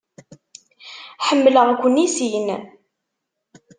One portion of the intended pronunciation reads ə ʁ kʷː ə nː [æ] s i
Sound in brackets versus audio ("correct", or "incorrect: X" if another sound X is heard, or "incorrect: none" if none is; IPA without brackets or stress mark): incorrect: i